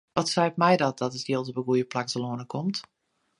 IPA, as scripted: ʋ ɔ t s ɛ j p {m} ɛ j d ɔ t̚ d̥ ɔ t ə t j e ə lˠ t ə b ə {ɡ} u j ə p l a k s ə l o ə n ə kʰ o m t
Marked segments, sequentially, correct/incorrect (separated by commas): correct, correct